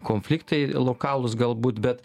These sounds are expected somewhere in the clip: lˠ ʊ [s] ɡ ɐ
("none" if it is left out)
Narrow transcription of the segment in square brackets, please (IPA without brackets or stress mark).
s